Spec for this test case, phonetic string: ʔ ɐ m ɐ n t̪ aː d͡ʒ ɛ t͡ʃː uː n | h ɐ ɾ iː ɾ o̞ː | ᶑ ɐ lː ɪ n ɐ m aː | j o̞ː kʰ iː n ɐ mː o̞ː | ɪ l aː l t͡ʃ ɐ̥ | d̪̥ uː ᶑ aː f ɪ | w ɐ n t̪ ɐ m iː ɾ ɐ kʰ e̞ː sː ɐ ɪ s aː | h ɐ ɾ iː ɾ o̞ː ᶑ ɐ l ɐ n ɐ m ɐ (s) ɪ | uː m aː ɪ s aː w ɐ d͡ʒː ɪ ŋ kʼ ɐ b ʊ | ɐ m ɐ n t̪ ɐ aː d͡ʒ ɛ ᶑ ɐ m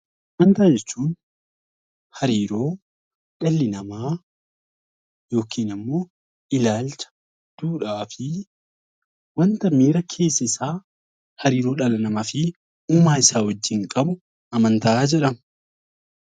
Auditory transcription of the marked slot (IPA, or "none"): f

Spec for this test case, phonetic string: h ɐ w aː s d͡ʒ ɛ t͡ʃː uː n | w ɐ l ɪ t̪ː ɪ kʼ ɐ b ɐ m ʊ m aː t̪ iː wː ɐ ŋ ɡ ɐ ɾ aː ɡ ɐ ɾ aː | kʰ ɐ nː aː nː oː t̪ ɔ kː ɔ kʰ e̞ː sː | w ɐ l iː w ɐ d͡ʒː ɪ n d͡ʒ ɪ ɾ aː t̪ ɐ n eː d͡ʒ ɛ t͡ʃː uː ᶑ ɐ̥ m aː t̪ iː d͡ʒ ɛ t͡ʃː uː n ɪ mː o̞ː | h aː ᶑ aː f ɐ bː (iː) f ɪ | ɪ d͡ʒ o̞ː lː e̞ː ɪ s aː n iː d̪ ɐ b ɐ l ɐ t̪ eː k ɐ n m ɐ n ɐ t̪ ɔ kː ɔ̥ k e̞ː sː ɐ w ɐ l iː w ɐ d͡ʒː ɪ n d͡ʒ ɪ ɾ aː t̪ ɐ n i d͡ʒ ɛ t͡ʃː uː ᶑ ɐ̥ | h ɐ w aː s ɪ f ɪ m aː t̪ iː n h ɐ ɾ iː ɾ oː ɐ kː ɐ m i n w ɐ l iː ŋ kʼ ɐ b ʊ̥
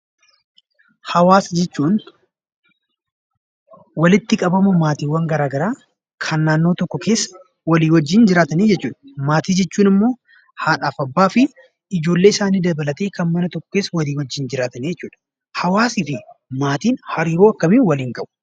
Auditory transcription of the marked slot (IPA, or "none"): aː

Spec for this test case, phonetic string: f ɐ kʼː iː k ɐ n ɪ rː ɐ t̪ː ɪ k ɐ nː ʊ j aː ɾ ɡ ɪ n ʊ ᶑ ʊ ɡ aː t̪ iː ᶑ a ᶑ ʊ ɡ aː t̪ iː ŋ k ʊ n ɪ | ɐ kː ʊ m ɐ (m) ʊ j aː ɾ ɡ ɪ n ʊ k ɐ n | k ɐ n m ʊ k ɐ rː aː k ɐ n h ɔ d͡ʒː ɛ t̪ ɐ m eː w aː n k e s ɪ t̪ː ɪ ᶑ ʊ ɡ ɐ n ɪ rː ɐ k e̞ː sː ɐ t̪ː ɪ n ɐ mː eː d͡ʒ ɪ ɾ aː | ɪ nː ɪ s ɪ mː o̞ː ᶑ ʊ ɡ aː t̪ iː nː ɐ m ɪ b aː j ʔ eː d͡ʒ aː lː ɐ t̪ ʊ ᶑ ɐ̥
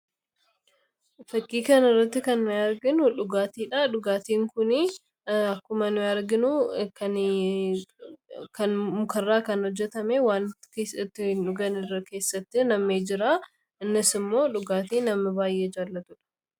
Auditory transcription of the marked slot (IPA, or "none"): n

